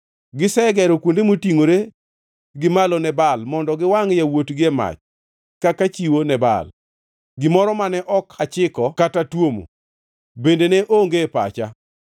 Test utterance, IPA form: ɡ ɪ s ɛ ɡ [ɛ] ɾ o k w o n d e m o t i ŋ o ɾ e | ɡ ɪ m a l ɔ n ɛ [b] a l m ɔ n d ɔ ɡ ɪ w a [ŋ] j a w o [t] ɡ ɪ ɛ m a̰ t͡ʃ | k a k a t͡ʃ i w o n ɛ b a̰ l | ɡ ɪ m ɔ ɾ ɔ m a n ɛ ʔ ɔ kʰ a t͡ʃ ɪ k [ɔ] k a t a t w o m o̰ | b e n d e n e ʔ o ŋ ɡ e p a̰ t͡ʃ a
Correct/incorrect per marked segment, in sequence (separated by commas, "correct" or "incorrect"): correct, correct, correct, correct, correct